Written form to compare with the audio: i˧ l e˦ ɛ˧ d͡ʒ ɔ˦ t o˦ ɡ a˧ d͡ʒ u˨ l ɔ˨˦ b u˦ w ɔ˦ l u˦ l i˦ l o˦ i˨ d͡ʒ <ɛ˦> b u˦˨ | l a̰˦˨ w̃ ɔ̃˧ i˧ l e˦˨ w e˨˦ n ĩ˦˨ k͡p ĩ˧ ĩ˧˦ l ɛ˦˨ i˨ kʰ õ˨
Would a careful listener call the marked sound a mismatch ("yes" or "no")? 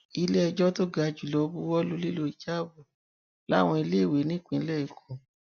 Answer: yes